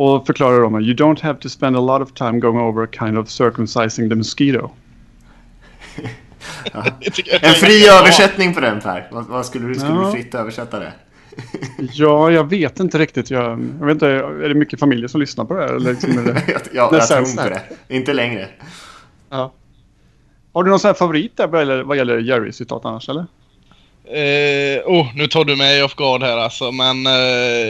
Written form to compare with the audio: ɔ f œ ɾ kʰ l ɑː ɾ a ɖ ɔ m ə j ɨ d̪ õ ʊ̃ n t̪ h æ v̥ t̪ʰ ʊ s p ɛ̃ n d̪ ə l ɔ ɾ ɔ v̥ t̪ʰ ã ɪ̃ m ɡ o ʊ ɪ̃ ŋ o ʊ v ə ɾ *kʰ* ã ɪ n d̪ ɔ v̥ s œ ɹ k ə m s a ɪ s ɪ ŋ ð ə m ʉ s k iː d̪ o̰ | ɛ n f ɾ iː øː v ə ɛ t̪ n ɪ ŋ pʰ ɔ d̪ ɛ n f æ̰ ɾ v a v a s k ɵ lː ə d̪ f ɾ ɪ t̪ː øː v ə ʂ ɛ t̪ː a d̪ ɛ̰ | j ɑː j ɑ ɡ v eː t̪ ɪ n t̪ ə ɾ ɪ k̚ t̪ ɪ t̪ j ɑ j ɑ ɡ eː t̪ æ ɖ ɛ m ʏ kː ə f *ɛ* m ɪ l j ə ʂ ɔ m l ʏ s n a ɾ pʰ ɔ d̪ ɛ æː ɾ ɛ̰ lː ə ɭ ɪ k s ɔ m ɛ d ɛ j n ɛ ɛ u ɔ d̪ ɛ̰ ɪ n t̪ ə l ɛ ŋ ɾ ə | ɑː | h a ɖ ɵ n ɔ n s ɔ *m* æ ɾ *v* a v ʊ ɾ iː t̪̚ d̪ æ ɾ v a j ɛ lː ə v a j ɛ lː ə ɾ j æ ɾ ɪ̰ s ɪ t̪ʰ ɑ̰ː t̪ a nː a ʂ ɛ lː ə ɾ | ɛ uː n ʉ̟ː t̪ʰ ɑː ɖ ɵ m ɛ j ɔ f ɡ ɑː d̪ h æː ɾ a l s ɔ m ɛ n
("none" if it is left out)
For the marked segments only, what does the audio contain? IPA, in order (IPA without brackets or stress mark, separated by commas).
kʰ, a, n, f